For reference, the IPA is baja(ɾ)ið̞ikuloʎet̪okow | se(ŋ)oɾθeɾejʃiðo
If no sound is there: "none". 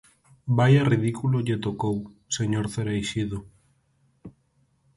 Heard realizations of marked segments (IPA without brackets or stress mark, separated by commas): r, ɲ